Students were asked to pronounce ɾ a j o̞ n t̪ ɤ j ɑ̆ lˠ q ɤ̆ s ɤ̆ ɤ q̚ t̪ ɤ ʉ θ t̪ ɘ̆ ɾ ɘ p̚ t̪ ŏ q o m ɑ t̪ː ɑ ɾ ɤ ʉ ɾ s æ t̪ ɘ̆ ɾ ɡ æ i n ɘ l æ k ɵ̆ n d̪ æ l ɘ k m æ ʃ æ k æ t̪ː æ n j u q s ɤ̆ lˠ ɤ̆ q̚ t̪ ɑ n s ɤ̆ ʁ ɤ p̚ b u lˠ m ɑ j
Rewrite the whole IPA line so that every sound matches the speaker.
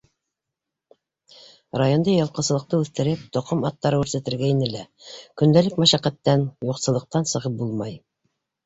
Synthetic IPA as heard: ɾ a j o̞ n d̪ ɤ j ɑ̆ lˠ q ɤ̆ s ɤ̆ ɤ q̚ t̪ ɤ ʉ θ t̪ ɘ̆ ɾ ɘ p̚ t̪ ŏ q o m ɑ t̪ː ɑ ɾ ɤ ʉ ɾ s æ t̪ ɘ̆ ɾ ɡ æ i n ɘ l æ k ɵ̆ n d̪ æ l ɘ k m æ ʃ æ q æ t̪ː æ n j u q s ɤ̆ lˠ ɤ̆ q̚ t̪ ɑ n s ɤ̆ ʁ ɤ p̚ b u lˠ m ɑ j